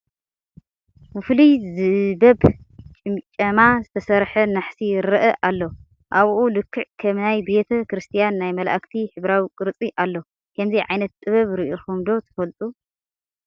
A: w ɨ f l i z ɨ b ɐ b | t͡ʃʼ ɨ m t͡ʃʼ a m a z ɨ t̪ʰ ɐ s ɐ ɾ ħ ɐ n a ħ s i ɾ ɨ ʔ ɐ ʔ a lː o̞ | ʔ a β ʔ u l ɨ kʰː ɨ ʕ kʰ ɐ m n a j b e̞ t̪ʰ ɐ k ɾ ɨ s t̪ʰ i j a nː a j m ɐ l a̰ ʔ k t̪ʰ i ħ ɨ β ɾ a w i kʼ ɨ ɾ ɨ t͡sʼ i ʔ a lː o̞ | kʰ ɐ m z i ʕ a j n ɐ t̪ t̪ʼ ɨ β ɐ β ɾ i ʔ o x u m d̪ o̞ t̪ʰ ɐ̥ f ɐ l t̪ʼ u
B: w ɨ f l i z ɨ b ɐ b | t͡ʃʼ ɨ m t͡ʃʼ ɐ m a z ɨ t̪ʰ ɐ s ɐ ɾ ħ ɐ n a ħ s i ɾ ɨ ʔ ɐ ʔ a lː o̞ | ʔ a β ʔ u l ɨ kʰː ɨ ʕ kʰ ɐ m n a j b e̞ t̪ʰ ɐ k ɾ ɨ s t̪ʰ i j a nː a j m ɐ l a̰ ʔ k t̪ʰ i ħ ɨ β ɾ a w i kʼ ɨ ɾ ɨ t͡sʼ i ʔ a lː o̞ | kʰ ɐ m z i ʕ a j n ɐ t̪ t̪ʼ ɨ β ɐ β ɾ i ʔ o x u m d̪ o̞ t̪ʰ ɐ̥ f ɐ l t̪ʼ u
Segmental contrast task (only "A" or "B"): B